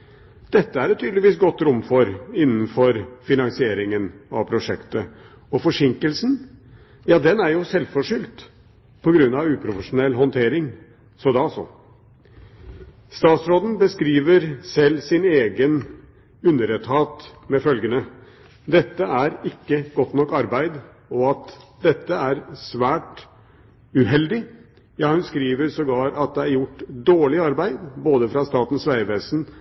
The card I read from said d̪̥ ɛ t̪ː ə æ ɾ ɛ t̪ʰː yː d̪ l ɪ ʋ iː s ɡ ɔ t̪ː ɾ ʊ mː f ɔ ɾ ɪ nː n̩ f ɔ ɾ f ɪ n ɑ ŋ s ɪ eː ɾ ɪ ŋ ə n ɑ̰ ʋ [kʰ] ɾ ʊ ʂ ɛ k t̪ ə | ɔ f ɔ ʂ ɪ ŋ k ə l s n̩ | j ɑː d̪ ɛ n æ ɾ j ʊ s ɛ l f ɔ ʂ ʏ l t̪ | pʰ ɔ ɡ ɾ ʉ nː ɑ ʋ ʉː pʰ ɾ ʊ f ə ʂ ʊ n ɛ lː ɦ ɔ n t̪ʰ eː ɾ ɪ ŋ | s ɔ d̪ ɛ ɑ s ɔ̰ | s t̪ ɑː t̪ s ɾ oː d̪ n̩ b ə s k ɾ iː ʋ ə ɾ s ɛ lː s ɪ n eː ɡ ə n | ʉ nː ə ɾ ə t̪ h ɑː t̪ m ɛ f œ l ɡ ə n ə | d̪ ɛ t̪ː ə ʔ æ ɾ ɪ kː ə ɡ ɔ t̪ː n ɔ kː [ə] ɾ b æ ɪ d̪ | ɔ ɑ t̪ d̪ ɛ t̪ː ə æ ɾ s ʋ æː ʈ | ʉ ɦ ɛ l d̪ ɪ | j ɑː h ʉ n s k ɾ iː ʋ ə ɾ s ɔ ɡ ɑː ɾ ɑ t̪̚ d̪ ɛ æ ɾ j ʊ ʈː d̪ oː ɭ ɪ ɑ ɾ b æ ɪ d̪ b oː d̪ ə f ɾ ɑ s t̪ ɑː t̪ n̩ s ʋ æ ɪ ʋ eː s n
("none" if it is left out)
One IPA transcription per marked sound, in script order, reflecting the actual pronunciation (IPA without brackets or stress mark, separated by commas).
pʰ, ɑ